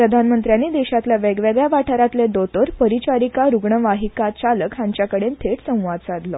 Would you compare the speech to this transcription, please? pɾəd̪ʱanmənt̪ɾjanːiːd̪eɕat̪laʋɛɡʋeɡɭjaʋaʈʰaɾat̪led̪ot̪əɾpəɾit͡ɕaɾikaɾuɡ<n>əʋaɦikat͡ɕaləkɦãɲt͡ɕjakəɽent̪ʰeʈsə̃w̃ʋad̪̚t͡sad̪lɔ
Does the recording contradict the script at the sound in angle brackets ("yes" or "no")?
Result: yes